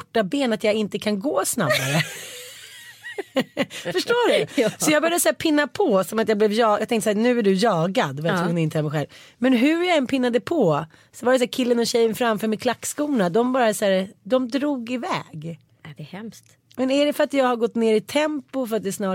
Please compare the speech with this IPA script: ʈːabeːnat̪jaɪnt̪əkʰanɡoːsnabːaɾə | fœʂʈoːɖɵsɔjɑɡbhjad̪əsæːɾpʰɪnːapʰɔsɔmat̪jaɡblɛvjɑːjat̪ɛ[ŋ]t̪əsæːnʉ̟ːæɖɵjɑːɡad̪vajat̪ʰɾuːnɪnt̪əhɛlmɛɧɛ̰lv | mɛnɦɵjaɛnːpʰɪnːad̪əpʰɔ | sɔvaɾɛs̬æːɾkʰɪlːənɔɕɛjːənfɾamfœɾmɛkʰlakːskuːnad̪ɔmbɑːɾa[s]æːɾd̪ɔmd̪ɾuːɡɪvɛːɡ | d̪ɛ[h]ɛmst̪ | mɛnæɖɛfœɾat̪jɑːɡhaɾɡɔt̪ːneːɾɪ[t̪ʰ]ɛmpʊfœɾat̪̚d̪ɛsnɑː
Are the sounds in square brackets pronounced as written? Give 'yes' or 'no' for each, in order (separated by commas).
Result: yes, yes, yes, yes